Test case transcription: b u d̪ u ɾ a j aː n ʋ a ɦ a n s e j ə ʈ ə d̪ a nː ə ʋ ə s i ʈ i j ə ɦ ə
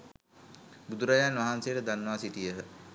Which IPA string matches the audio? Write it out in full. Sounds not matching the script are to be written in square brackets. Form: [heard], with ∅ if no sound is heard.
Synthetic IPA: b u d̪ u ɾ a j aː n ʋ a ɦ a n s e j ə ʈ ə d̪ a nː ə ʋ [a] s i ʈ i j ə ɦ ə

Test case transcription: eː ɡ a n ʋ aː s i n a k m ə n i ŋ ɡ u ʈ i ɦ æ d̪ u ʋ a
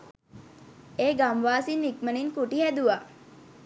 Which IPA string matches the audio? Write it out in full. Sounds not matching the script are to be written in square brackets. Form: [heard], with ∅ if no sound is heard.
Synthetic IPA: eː ɡ a [m] ʋ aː s i n [i] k m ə n i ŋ [k] u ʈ i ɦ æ d̪ u ʋ a

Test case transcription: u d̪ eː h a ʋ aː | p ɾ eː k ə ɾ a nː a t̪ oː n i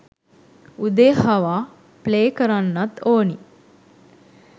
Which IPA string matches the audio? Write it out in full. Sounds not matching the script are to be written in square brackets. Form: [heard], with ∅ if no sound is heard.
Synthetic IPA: u d̪ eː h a ʋ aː | p [l] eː k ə ɾ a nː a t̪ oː n i

